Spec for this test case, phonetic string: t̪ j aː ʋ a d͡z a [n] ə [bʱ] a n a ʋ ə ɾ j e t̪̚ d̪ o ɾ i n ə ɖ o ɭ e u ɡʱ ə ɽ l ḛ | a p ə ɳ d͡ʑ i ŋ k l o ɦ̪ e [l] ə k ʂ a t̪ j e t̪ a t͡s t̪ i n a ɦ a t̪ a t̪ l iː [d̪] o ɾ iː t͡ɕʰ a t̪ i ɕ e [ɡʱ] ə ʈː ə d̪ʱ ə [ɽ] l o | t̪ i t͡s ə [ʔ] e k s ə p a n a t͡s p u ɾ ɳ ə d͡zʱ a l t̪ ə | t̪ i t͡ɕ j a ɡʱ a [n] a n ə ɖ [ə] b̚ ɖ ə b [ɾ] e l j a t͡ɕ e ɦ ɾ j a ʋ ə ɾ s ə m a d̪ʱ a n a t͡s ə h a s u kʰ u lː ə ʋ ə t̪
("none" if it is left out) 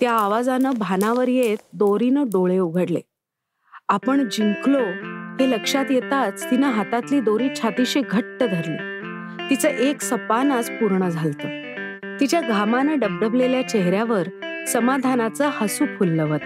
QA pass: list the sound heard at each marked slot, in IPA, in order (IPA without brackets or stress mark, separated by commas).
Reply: n, bʱ, l, d̪, ɡʱ, ɾ, ʔ, m, ə, l